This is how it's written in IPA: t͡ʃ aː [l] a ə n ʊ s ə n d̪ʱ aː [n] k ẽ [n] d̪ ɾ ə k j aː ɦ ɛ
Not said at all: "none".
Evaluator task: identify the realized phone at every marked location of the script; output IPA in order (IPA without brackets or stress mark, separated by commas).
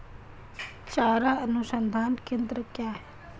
ɾ, n, n